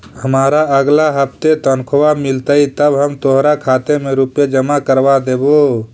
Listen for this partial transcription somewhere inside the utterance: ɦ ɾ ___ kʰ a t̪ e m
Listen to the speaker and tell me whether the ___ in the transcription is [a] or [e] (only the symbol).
a